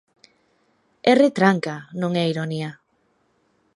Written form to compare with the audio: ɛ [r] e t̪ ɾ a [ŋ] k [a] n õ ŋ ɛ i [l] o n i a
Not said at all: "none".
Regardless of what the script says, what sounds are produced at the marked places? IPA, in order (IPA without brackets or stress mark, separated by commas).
r, ŋ, a, ɾ